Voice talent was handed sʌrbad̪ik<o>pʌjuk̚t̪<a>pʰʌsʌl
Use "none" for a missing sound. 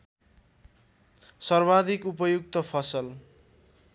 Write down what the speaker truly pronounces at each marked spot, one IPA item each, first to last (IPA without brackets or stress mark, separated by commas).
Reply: u, ʌ